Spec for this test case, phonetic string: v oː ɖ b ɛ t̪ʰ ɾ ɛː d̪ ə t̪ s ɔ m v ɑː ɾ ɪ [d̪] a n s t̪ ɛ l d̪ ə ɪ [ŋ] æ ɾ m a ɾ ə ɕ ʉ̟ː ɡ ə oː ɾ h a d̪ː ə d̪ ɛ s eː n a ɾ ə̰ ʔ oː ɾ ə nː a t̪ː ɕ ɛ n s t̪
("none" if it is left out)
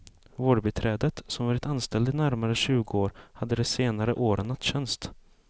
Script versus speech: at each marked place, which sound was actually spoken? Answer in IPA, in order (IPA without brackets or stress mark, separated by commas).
t̪, n